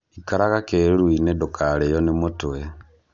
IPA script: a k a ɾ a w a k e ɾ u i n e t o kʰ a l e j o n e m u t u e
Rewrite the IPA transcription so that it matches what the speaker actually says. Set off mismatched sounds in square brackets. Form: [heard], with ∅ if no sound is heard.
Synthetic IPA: [i] k a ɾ a [ɣ] a k e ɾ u i n e [d] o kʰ a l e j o n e m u t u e